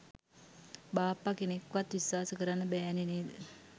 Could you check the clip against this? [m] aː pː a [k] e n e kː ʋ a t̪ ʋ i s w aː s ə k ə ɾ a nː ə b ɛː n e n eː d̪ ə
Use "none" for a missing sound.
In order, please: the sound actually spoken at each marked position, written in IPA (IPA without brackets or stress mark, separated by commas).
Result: b, k